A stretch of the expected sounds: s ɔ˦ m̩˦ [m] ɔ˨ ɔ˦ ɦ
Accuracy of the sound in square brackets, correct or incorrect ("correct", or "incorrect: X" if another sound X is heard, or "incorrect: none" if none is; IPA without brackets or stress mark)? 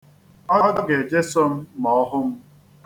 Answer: correct